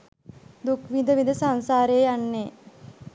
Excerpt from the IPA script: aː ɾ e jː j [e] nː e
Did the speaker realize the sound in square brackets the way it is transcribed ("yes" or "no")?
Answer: no